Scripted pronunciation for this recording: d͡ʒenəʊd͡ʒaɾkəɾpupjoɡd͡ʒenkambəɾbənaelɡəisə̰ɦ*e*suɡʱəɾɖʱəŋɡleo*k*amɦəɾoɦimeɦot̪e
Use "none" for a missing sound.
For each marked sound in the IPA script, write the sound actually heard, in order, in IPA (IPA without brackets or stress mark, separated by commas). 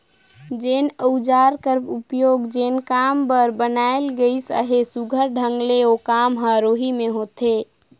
e, k